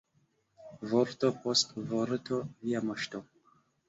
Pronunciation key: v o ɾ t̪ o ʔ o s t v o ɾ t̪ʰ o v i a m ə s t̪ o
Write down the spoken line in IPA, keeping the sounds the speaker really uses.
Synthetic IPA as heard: v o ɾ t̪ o p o s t v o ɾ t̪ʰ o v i a m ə ʃ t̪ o